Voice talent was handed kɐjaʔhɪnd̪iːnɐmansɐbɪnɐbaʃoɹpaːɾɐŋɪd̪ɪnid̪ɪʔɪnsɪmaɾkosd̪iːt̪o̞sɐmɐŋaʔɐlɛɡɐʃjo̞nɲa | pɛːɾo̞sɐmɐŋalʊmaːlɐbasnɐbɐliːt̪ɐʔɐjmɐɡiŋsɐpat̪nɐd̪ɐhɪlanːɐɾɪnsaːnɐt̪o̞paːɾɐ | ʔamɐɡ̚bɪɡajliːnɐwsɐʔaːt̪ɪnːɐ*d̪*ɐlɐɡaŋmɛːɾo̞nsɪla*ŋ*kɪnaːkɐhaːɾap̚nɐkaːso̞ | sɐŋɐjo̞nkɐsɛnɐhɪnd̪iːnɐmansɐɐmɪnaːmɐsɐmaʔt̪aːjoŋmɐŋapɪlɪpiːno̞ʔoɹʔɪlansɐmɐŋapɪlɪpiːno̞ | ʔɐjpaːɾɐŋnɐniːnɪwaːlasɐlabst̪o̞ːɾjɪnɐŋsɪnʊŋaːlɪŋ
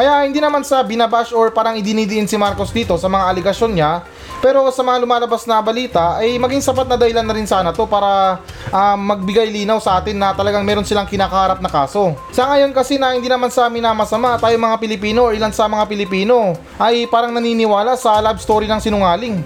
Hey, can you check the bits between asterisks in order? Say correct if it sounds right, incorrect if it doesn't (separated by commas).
incorrect, correct